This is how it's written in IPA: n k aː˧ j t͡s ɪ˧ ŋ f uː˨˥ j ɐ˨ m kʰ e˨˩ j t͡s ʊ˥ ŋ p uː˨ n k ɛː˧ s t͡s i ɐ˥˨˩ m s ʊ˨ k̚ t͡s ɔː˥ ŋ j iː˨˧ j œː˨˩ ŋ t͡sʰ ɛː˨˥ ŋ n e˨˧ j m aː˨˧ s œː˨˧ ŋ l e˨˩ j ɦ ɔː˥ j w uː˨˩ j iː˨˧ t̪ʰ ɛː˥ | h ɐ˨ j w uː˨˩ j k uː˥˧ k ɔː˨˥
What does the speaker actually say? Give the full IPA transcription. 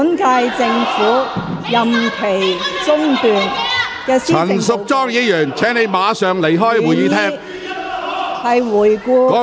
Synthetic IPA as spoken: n k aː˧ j t͡s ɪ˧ ŋ f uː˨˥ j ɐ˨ m kʰ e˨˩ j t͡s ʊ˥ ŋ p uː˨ n k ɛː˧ s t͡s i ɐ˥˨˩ n s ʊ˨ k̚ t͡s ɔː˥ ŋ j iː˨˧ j œː˨˩ ŋ t͡sʰ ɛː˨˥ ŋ n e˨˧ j m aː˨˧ s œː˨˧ ŋ l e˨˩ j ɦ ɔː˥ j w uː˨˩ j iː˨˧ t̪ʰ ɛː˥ | h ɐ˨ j w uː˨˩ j k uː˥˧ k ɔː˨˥